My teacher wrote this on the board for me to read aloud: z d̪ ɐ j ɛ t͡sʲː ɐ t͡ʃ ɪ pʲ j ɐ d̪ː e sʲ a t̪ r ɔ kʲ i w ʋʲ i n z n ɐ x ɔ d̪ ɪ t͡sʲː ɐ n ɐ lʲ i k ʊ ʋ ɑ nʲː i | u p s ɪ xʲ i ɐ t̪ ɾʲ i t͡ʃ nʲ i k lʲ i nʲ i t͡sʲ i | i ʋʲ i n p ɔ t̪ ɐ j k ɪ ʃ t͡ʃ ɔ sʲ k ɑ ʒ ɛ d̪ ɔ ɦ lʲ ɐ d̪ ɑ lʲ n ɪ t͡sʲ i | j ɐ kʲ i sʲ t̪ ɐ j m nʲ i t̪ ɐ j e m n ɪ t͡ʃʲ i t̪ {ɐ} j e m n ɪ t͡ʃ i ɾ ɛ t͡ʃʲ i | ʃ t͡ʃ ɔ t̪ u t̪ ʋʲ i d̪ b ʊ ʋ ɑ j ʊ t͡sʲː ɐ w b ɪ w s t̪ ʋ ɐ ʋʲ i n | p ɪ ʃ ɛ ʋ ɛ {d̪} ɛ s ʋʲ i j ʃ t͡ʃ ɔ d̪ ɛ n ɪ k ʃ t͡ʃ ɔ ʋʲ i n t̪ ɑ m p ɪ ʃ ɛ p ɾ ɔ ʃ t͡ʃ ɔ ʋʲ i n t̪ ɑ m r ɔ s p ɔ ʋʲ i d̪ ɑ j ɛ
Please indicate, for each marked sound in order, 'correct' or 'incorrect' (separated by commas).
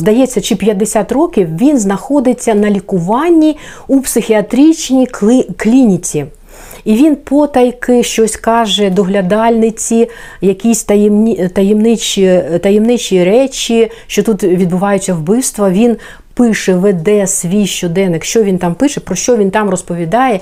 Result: correct, correct